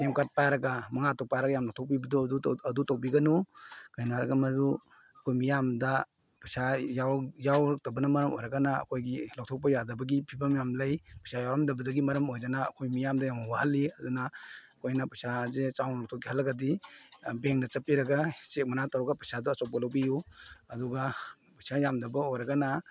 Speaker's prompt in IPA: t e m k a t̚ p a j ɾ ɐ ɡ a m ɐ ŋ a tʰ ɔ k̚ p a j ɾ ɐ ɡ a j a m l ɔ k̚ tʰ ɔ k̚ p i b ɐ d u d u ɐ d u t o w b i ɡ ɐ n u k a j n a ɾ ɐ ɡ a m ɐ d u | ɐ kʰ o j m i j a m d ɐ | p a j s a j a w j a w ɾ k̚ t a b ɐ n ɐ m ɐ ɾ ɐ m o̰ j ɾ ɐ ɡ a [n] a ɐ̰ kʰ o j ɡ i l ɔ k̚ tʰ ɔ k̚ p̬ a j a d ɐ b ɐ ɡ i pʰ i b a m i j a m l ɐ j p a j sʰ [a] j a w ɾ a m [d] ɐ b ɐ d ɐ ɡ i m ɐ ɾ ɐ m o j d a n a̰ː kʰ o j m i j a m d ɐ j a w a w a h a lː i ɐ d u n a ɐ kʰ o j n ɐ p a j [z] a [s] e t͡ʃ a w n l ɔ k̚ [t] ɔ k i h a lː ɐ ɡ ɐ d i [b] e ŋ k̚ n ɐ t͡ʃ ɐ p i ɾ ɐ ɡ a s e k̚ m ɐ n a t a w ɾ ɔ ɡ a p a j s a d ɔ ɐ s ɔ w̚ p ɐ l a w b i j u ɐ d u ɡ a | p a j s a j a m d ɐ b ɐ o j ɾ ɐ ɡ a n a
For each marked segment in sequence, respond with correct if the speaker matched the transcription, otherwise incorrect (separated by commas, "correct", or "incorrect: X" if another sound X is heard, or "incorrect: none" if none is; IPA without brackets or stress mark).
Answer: correct, correct, correct, incorrect: s, incorrect: z, incorrect: tʰ, correct